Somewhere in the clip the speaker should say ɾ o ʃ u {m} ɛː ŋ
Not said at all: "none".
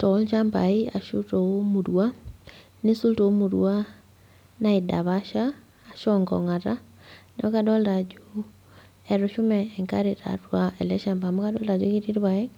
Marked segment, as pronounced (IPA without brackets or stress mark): m